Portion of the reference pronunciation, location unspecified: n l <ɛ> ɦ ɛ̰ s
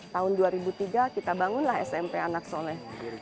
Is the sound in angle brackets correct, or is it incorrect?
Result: incorrect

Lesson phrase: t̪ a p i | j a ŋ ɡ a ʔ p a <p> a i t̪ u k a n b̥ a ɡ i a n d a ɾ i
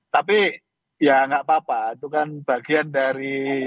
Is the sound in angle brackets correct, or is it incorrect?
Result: correct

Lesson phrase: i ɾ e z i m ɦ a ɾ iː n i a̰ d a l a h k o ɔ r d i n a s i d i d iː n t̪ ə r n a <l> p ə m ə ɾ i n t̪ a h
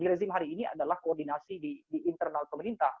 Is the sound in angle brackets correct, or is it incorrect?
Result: correct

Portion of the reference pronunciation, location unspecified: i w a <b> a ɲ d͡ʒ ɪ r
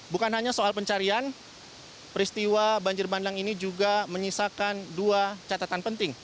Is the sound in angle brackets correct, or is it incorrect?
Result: correct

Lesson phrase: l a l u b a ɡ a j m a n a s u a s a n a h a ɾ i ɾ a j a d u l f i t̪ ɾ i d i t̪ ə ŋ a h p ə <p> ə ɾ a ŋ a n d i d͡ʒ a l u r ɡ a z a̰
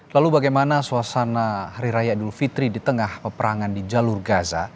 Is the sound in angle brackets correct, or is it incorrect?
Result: correct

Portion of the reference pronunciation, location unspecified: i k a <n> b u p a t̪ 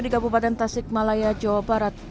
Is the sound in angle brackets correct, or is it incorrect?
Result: incorrect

